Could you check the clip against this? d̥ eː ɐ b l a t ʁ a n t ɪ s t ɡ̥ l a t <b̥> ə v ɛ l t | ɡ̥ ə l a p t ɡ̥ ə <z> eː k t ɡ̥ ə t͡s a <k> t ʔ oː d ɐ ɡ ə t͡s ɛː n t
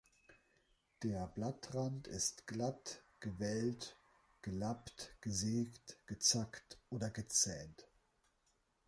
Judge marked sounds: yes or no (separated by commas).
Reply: no, yes, yes